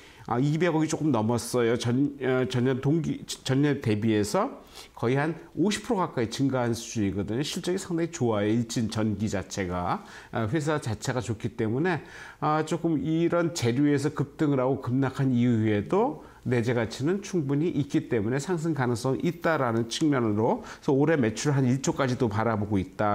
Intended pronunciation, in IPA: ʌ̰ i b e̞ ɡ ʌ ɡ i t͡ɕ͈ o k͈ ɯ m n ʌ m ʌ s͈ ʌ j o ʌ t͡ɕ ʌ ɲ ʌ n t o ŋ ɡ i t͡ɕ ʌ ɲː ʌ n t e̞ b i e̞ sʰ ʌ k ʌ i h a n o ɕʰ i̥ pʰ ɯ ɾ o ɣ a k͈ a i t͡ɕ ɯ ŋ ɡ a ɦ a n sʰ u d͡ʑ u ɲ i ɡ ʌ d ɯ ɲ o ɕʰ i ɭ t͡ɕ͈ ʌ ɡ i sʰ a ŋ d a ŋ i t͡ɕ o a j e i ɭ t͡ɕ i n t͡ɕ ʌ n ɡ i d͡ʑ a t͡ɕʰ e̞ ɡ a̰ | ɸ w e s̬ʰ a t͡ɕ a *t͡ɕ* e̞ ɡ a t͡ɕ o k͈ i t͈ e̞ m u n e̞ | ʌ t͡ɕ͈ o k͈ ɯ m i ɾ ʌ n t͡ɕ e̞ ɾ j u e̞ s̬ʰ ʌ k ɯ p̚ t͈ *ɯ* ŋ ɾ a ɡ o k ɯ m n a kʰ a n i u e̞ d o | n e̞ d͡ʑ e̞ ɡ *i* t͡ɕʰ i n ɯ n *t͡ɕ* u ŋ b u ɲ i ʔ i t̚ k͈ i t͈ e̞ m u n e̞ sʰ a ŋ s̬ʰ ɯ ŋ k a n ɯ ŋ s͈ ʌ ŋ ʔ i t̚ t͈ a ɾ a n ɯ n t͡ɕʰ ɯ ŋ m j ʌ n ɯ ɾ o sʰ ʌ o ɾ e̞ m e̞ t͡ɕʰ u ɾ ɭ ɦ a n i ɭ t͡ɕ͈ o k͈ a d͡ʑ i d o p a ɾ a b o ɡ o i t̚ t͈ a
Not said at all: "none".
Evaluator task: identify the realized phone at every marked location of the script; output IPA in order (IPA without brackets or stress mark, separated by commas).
t͡ɕʰ, ɯ, a, t͡ɕʰ